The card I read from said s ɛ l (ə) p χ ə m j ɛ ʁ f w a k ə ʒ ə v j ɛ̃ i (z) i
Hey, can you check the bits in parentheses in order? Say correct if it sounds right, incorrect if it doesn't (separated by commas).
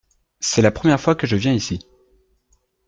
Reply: incorrect, incorrect